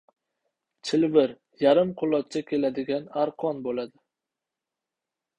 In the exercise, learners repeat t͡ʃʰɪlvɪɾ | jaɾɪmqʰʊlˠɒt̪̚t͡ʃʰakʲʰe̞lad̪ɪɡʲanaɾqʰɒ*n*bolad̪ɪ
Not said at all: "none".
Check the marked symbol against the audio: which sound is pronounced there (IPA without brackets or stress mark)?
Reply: n